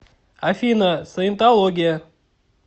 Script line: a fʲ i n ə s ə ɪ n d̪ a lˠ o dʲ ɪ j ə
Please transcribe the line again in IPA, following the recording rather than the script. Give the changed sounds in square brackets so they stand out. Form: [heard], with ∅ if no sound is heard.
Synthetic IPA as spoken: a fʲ i n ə s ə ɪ n [t̪] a lˠ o [ɡʲ] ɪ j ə